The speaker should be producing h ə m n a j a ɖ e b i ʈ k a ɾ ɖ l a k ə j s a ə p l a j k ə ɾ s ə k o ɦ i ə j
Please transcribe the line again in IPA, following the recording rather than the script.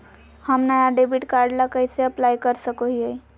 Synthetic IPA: h ə m n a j a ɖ e b i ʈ k a ɾ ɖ l a k ə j s e ə p l a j k ə ɾ s ə k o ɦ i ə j